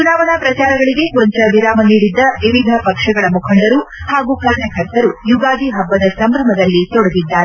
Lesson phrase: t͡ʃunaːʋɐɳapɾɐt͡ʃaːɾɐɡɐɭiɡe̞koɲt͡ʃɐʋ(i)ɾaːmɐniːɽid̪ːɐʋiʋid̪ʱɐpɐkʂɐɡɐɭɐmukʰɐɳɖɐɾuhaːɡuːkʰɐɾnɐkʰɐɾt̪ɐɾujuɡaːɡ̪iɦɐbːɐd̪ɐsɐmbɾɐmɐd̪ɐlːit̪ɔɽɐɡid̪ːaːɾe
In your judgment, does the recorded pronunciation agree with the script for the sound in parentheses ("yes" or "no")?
yes